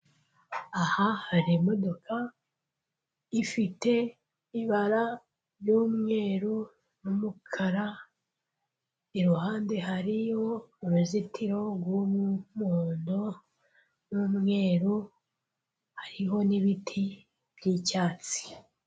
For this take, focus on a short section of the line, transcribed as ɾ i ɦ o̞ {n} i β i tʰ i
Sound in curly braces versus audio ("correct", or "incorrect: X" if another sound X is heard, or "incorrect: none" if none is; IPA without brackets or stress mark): correct